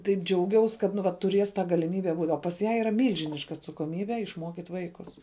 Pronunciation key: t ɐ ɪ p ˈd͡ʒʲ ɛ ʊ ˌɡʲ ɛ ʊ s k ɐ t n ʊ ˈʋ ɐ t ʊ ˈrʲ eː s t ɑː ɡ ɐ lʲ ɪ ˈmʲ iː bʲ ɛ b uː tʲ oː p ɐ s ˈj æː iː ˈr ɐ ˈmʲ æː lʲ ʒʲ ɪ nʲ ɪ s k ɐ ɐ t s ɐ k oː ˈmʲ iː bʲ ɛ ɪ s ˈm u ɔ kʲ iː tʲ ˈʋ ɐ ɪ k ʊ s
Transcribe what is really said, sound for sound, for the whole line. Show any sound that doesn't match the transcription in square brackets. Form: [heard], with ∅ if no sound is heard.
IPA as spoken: t ɐ ɪ p ˈd͡ʒʲ ɛ ʊ ˌɡʲ ɛ ʊ s k ɐ t n ʊ ˈʋ ɐ t ʊ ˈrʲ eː s t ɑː ɡ ɐ lʲ ɪ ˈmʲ iː bʲ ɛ b uː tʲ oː p ɐ s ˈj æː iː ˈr ɐ ˈmʲ [iː] lʲ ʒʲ ɪ nʲ ɪ [ʃ] k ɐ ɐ t s ɐ k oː ˈmʲ iː bʲ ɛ ɪ [ʃ] ˈm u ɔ kʲ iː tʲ ˈʋ ɐ ɪ k ʊ s